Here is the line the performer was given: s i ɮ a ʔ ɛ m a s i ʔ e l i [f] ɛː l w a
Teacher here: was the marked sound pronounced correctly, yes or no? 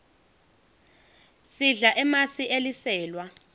no